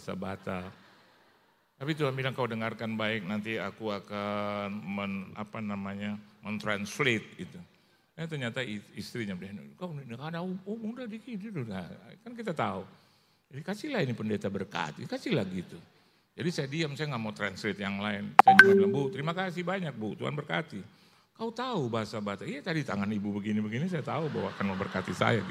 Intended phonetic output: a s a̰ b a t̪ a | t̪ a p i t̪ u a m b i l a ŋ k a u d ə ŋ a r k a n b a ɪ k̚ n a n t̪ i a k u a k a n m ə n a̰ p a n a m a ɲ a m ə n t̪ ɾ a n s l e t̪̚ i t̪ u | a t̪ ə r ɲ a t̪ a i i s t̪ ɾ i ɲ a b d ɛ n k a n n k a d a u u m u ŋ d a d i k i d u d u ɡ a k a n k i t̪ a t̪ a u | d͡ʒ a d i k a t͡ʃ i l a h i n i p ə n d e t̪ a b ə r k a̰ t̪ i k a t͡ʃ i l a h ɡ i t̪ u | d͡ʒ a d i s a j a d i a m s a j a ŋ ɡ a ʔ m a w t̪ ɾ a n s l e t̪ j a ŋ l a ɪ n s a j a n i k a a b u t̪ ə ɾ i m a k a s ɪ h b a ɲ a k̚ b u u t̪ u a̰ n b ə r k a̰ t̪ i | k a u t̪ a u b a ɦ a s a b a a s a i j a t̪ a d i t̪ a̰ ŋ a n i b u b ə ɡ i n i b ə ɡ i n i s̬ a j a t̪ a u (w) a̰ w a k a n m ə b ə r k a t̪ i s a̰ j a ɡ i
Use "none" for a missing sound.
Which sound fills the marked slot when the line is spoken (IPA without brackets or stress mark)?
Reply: b